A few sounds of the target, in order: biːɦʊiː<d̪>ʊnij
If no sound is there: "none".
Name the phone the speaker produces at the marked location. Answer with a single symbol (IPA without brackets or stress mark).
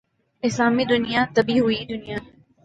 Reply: d̪